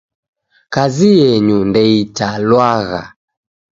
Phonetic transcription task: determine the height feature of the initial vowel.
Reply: low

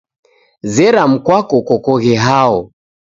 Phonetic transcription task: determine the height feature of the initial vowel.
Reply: mid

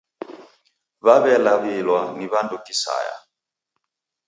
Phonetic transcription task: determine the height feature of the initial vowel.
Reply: low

